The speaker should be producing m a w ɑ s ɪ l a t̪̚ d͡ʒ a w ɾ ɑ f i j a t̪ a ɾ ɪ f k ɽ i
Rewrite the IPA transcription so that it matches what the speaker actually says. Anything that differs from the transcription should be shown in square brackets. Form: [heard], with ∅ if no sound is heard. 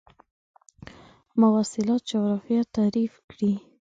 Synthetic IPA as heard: m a w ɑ s ɪ l [ɑ] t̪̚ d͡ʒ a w ɾ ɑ f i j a t̪ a ɾ [i] f k ɽ i